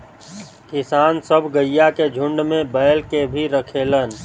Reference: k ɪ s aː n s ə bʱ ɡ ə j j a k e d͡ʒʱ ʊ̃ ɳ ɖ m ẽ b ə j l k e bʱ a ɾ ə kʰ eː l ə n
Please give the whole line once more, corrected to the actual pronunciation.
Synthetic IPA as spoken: k ɪ s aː n s ə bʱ ɡ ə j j a k e d͡ʒʱ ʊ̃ ɳ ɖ m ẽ b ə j l k e bʱ i ɾ ə kʰ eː l ə n